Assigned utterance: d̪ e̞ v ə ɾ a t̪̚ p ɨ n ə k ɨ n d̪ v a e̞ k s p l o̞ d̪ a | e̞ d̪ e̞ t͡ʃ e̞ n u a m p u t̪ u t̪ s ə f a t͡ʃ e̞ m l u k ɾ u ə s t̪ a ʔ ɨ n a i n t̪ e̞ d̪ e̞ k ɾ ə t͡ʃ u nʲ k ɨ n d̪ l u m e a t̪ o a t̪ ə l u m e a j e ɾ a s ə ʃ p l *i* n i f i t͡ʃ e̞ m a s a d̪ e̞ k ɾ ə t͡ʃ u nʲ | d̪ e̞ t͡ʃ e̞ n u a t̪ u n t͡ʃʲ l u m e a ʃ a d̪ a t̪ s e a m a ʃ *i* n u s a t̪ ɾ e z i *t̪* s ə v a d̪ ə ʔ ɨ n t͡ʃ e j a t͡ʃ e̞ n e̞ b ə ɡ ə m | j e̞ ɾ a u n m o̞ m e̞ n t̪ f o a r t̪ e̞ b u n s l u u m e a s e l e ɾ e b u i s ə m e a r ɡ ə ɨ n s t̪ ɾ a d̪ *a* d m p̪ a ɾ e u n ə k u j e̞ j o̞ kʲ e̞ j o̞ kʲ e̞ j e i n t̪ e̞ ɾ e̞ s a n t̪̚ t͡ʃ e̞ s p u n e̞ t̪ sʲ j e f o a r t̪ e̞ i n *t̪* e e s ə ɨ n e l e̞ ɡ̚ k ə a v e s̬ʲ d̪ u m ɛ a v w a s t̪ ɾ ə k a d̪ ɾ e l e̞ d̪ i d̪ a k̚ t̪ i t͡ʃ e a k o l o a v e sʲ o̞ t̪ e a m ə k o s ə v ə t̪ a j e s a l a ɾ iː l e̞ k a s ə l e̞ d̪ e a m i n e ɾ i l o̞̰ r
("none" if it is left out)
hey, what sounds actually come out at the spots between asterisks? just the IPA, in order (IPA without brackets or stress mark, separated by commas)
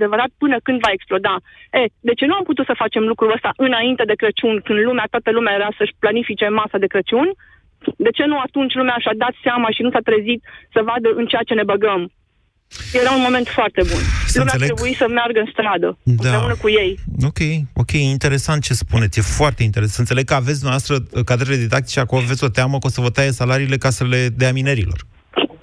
a, i, t̪, ə, t̪